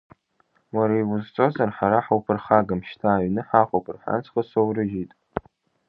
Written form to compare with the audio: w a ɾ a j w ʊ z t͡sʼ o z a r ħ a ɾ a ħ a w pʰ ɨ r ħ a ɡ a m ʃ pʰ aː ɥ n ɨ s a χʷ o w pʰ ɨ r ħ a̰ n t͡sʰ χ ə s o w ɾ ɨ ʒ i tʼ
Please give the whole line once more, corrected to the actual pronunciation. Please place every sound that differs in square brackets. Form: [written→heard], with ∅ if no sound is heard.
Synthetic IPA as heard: w a ɾ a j w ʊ z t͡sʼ o z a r ħ a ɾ a ħ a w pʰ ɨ r [ħ→χ] a ɡ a m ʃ [pʰ→tʰ] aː ɥ n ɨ [s→ħ] a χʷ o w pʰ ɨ r ħ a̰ n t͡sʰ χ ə s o w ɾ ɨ ʒ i tʼ